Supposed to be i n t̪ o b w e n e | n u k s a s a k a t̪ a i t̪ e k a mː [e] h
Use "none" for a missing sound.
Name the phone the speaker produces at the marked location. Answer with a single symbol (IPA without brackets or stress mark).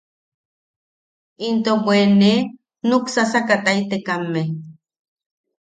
e